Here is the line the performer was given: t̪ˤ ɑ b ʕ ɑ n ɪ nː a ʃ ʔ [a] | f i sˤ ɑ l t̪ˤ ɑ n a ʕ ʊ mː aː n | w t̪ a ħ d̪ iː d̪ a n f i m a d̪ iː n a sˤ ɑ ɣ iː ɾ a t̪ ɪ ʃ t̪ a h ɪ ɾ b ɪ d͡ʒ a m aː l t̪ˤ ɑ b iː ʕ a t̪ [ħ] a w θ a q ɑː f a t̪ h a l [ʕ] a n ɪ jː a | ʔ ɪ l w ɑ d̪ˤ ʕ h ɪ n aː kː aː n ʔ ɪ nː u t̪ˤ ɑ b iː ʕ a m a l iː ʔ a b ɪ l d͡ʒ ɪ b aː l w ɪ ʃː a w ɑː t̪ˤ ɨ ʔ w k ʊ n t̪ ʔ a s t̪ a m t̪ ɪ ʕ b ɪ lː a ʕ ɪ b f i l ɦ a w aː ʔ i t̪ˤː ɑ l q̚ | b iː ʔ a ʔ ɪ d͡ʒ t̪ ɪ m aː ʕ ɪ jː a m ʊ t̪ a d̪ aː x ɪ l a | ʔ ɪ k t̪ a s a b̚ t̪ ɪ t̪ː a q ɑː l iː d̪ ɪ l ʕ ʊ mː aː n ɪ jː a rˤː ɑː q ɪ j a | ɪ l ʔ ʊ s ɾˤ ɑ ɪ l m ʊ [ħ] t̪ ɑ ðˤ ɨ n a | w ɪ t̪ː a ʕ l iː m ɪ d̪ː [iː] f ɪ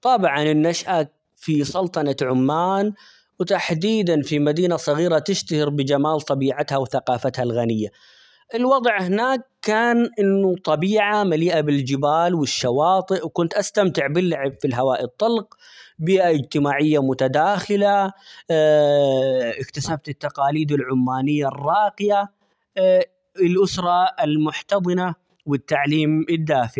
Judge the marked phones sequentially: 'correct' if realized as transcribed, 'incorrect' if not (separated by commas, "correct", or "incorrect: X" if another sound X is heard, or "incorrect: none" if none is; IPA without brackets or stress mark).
correct, incorrect: h, incorrect: ɣ, correct, incorrect: aː